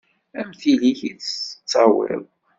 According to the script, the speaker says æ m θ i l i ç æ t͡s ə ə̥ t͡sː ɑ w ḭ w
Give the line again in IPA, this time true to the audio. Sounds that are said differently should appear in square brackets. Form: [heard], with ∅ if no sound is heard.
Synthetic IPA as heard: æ m θ i l i ç [i] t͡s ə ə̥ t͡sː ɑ w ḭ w